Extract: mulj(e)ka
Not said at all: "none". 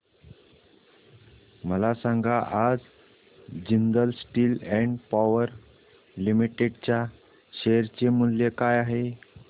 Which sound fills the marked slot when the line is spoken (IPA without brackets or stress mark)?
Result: e